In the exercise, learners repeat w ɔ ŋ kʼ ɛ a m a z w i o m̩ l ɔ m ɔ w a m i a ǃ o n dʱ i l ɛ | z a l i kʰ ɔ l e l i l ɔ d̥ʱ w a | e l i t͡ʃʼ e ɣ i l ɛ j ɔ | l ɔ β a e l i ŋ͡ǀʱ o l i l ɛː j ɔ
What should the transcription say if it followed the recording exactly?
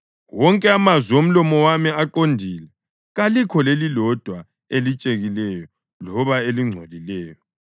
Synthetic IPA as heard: w ɔ ŋ kʼ ɛ a m a z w i o m̩ l ɔ m ɔ w a m i a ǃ o n dʱ i l ɛ | ɣ a l i kʰ ɔ l e l i l ɔ d̥ʱ w a | e l i t͡ʃʼ e ɣ i l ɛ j ɔ | l ɔ β a e l i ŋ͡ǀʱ o l i l ɛː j ɔ